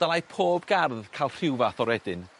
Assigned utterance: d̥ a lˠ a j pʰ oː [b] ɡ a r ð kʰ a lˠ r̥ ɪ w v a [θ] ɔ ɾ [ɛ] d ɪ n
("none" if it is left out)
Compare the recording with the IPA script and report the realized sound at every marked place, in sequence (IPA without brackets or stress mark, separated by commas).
b, θ, ɛ